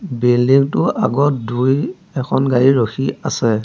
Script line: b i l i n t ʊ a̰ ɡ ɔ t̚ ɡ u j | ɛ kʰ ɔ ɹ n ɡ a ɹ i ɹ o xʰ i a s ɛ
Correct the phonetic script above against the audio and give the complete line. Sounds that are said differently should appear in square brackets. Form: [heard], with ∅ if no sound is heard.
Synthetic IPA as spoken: b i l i [ŋ] t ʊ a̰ ɡ ɔ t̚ [d] u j | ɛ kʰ ɔ [∅] n ɡ a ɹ i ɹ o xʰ i a s ɛ